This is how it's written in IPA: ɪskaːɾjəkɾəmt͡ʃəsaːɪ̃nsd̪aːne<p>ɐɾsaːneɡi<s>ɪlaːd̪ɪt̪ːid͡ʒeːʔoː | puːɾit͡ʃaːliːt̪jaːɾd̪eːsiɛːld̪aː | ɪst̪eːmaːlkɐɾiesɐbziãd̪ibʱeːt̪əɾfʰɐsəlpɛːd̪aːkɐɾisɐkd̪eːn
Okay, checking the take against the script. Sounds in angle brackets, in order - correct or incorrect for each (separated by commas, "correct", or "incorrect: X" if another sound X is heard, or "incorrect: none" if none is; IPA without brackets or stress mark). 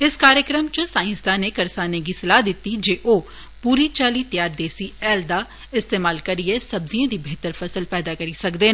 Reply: incorrect: k, correct